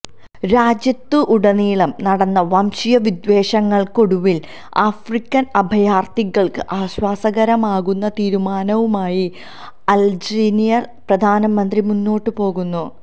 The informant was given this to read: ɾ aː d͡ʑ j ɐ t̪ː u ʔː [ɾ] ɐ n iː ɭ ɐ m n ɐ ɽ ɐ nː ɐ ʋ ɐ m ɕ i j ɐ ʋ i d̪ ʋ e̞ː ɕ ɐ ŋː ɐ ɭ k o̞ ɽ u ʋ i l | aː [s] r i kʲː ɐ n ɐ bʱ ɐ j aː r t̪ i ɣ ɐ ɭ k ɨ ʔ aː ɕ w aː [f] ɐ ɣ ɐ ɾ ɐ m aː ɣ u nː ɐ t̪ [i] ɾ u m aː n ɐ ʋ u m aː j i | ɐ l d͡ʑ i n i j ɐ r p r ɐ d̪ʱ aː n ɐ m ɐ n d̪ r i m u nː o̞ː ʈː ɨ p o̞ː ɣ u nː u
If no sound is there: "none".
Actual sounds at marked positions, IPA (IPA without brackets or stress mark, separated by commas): ɽ, f, s, iː